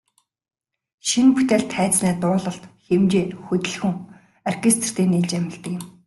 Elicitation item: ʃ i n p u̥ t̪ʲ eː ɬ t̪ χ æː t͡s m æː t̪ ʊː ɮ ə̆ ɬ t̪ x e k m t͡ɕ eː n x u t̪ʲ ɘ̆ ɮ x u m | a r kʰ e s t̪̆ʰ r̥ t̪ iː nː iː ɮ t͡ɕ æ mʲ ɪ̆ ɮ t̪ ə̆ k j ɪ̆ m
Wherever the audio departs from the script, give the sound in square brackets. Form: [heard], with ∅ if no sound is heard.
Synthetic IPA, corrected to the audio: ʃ i n p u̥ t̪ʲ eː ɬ t̪ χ æː t͡s [n] æː t̪ ʊː ɮ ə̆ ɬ t̪ x e [∅] m t͡ɕ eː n x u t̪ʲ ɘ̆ ɮ x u [ŋ] | a r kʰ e s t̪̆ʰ r̥ t̪ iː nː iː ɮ t͡ɕ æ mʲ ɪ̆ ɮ t̪ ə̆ k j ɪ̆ m